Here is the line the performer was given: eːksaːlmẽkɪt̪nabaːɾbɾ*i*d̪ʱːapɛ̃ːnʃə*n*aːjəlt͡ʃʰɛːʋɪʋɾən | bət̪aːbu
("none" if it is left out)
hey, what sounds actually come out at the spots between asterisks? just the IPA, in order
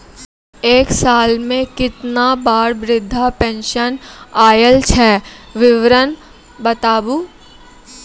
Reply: ɪ, n

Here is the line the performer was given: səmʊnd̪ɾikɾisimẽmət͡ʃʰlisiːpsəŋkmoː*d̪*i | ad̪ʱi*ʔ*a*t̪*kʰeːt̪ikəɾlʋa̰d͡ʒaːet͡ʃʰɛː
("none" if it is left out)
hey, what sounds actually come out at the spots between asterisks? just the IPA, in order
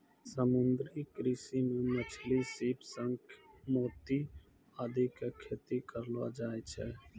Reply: t̪, k, none

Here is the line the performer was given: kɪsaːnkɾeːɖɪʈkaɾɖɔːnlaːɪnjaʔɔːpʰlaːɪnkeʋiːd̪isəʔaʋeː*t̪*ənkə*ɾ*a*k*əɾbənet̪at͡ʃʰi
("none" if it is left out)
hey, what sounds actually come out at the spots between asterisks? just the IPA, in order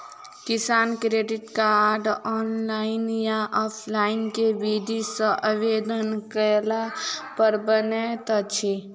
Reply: d̪, l, p

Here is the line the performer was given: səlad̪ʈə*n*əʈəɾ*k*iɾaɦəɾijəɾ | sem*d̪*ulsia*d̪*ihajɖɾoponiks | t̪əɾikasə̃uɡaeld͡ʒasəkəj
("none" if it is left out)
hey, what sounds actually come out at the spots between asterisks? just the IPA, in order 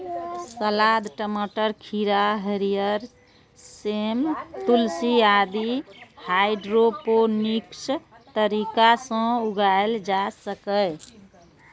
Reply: m, kʰ, t̪, d̪

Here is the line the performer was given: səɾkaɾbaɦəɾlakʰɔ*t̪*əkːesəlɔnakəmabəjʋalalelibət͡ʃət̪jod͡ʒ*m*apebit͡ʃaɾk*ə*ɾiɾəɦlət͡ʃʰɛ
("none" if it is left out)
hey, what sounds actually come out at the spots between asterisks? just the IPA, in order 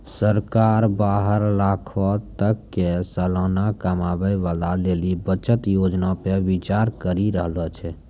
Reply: t̪, n, ə

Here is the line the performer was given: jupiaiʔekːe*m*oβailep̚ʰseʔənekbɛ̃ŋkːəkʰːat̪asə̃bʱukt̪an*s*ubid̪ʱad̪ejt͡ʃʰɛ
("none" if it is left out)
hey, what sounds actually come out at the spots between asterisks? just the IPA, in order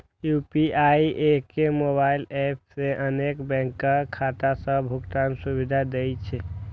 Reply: m, s

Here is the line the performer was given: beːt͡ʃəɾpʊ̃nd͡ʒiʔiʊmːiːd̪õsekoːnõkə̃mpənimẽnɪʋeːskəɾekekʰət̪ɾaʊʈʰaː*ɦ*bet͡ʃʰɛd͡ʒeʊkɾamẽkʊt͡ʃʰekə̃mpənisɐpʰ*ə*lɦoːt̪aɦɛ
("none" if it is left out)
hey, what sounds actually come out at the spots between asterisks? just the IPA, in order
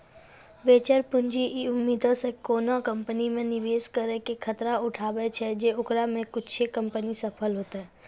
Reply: none, ə

